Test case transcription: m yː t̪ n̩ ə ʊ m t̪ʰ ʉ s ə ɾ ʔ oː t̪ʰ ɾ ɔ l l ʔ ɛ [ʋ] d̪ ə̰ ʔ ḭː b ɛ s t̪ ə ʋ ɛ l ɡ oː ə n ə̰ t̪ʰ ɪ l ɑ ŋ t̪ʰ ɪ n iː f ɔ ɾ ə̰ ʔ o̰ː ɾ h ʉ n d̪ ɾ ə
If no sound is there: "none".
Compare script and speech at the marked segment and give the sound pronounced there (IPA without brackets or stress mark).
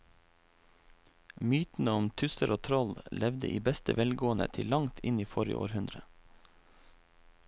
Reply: ʋ